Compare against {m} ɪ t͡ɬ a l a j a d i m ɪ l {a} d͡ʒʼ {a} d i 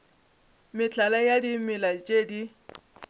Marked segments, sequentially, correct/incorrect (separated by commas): correct, correct, incorrect